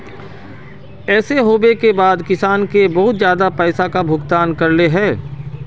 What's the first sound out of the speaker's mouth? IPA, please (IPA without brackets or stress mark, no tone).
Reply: ɛː